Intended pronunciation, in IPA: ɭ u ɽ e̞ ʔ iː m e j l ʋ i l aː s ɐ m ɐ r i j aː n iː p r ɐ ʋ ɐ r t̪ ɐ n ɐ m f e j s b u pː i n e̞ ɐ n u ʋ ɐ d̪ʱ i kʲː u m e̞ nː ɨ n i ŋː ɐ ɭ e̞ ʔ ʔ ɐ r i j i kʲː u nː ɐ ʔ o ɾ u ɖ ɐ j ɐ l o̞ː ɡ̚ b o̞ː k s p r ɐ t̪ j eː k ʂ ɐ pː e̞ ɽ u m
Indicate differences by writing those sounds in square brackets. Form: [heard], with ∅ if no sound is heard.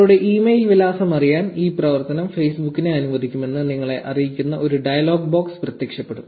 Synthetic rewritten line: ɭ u ɽ e̞ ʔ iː m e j l ʋ i l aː s ɐ m ɐ r i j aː n iː p r ɐ ʋ ɐ r t̪ ɐ n ɐ m f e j s b u [kː] i n e̞ ɐ n u ʋ ɐ d̪ʱ i kʲː u m e̞ nː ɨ n i ŋː ɐ ɭ e̞ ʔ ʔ ɐ r i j i kʲː u nː ɐ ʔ o ɾ u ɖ ɐ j ɐ l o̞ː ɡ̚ b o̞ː k s p r ɐ t̪ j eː k ʂ ɐ pː e̞ ɽ u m